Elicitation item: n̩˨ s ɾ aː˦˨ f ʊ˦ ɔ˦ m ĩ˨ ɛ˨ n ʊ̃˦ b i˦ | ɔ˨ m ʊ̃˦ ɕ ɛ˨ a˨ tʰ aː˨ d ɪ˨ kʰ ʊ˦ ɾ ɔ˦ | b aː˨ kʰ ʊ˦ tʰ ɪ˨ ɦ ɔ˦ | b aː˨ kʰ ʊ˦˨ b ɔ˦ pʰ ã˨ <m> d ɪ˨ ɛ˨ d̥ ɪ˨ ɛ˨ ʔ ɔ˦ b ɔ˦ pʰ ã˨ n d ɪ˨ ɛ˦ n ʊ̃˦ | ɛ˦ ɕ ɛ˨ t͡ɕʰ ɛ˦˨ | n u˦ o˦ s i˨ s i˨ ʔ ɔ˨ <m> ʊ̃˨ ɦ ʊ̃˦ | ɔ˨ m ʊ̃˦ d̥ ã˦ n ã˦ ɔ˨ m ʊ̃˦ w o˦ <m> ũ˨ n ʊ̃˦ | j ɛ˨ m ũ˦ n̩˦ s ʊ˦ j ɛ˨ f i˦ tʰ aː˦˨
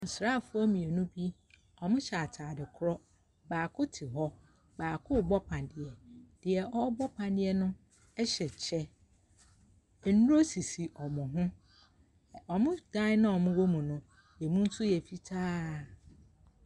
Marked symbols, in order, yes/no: no, yes, yes

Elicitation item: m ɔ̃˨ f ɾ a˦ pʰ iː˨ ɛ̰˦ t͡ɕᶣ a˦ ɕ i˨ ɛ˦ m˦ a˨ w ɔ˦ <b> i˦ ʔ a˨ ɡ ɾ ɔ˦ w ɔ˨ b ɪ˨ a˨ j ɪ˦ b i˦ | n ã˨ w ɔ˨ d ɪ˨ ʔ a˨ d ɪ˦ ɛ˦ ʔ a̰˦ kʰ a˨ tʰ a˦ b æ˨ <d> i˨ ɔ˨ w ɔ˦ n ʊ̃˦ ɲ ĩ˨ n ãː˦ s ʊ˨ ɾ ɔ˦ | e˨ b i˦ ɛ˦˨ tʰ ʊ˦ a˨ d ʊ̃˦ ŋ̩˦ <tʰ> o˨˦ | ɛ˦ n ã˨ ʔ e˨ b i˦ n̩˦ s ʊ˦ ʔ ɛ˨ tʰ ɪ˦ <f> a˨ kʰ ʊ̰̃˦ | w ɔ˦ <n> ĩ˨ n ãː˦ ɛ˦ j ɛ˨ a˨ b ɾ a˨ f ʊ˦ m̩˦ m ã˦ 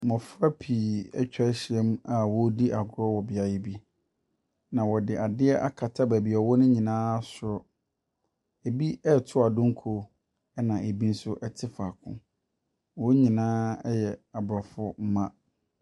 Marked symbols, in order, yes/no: no, no, no, yes, no

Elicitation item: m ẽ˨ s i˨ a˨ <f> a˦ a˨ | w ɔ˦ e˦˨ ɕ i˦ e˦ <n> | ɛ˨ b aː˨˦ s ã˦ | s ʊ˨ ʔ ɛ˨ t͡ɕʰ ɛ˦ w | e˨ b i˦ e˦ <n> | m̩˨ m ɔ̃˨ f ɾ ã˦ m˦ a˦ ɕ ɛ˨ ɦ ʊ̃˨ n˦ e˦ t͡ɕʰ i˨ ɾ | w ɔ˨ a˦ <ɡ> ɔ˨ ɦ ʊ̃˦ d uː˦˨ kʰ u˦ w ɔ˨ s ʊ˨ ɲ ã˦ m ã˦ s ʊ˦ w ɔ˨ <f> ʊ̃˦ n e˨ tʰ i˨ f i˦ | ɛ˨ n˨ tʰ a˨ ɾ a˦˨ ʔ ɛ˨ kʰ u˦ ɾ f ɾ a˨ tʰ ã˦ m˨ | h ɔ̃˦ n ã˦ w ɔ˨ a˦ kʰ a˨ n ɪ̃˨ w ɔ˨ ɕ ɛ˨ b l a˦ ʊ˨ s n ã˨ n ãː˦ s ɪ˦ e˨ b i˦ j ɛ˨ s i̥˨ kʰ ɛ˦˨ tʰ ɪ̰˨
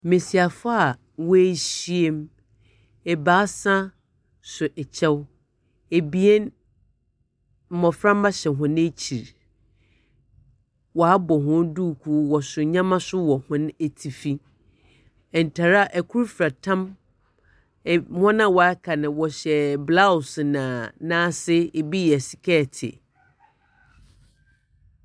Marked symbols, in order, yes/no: yes, no, yes, no, no

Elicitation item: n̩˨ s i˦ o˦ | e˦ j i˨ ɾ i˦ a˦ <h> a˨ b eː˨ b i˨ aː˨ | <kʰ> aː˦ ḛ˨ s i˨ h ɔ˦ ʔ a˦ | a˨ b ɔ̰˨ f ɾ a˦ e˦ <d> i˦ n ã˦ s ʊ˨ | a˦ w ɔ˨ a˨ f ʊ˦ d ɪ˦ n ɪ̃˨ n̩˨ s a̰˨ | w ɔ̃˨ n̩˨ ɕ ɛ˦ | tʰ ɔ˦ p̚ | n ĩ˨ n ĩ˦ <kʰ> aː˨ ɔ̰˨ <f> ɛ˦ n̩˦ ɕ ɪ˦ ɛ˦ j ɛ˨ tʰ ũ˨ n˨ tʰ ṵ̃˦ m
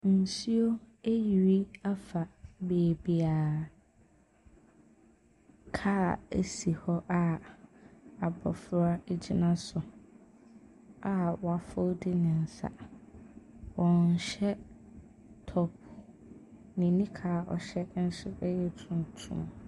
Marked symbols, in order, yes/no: no, yes, no, yes, no

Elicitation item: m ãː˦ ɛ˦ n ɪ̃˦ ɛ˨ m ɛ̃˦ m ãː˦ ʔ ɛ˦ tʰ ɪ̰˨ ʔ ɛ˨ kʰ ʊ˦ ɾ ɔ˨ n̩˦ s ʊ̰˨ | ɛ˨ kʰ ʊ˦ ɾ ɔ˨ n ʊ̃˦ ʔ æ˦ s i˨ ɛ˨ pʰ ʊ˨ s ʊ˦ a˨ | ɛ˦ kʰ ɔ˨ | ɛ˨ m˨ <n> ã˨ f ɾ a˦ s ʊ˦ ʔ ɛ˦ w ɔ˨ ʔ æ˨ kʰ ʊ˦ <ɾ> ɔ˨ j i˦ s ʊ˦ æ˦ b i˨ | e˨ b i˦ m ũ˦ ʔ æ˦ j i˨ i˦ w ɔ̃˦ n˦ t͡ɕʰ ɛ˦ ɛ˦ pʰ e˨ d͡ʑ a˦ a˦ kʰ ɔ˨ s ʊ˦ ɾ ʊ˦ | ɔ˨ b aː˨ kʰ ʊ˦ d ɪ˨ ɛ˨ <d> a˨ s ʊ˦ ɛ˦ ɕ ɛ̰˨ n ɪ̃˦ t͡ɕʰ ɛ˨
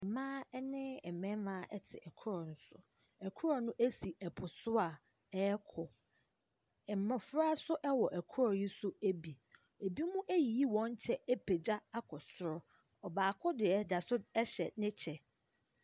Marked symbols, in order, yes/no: no, yes, yes

